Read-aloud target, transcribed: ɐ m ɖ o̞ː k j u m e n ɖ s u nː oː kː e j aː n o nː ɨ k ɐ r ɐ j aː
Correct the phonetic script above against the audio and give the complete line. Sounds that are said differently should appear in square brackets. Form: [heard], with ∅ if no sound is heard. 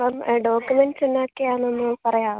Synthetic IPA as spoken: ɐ m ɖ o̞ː k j u m e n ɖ s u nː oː kː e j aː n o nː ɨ [p] ɐ r ɐ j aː